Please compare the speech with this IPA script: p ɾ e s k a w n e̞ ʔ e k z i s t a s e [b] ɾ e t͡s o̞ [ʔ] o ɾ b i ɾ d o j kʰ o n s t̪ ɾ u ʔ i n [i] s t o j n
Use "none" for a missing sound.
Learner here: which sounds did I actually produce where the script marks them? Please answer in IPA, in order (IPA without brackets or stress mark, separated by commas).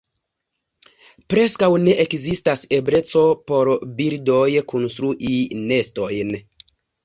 b, p, e